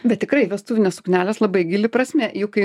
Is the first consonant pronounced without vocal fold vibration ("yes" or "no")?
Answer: no